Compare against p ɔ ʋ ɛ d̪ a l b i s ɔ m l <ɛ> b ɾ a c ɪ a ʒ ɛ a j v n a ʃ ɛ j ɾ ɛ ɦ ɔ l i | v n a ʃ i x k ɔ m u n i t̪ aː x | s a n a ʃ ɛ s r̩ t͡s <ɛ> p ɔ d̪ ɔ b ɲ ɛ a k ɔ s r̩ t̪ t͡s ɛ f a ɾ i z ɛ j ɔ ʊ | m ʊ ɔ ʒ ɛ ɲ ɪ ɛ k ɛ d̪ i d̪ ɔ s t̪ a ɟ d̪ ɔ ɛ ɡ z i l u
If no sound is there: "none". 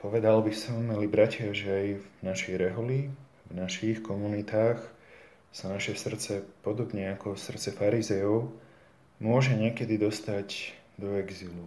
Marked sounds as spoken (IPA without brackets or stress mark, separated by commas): i, ɛ